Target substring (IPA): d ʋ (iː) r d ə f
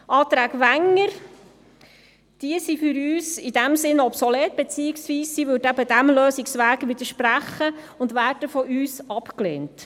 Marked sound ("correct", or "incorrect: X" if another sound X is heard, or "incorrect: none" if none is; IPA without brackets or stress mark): incorrect: æː